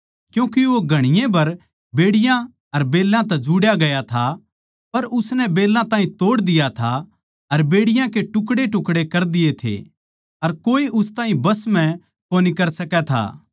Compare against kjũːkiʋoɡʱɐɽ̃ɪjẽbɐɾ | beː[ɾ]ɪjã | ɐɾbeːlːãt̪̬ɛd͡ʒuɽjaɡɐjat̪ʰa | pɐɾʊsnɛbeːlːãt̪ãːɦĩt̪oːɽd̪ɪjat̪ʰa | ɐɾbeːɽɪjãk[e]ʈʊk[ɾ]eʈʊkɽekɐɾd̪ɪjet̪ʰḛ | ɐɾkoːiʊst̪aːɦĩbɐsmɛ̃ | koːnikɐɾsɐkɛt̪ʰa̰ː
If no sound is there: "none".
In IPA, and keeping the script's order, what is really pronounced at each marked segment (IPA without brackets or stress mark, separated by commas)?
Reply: ɽ, e, ɽ